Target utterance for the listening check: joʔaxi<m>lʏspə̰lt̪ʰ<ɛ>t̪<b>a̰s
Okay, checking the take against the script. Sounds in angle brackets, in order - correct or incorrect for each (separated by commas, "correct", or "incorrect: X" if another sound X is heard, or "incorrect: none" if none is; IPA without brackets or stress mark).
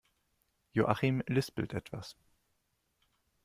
correct, correct, incorrect: v